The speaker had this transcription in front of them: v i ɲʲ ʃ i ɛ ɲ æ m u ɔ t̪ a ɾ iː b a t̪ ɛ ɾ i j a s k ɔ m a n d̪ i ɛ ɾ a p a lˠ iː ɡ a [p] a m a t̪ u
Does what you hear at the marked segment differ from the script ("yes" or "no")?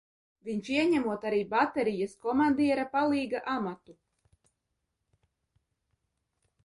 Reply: yes